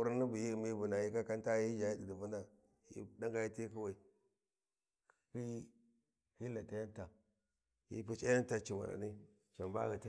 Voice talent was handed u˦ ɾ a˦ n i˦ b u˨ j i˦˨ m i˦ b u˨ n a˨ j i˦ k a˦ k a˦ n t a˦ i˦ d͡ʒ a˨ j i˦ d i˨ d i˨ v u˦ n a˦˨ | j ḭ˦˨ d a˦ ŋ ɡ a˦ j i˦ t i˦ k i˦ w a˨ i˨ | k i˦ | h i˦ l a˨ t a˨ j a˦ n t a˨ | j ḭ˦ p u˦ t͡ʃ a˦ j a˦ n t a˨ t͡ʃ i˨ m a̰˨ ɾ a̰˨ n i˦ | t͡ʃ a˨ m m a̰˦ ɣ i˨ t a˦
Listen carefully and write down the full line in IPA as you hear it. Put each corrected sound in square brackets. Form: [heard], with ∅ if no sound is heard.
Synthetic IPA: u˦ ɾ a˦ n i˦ b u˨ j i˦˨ m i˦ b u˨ n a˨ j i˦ k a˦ k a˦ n t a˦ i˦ d͡ʒ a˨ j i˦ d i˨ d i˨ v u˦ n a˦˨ | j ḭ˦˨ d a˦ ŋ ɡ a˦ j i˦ t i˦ k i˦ w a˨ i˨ | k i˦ | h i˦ l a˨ t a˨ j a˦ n t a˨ | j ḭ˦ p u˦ t͡ʃ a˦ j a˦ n t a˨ t͡ʃ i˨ m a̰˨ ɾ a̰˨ n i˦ | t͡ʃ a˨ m [b] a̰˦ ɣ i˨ t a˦